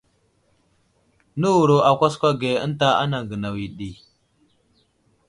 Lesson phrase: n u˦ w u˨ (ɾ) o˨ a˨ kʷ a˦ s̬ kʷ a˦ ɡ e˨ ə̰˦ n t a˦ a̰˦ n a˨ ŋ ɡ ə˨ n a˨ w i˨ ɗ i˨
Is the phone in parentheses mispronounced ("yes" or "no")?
no